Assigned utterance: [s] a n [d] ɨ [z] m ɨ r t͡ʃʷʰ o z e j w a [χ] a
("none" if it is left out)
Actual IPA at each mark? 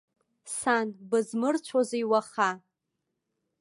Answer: s, b, z, χ

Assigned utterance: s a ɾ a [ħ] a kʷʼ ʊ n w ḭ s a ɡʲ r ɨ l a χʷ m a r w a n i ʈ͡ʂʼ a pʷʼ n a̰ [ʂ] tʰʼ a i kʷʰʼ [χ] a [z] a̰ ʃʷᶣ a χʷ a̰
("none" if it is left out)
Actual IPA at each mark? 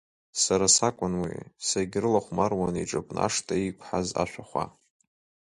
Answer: s, ʂ, ħ, z

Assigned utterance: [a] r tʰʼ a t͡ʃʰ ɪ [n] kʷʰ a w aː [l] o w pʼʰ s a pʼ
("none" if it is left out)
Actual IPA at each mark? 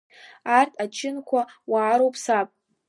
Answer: a, n, ɾ

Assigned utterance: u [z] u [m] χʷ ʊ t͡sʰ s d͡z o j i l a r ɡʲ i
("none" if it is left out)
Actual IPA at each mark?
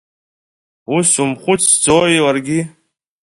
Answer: s, m

